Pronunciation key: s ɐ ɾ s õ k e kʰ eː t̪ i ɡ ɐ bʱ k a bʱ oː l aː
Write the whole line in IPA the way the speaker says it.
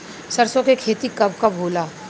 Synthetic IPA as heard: s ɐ ɾ s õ k e kʰ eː t̪ i k ɐ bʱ k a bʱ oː l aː